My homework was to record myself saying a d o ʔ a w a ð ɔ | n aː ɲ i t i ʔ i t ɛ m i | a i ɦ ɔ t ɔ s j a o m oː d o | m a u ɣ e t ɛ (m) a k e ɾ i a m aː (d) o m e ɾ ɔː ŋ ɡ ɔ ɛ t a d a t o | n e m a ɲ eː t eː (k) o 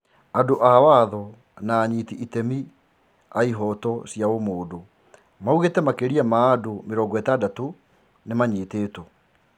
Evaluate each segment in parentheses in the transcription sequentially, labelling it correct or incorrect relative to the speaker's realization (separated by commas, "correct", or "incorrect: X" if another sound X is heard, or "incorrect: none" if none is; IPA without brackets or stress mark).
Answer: correct, correct, incorrect: t